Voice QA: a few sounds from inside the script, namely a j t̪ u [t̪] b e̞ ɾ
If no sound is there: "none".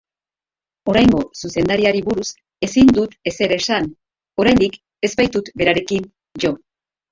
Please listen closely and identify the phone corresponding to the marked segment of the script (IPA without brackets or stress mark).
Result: t̪